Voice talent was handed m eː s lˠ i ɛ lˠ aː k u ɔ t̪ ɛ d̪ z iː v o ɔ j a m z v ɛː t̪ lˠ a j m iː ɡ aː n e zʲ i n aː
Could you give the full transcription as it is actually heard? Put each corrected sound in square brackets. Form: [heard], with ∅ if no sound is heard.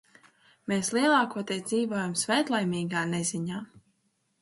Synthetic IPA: m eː s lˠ i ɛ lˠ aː k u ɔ t̪ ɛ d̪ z iː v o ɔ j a m [s] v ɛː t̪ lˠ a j m iː ɡ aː n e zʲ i [ɲ] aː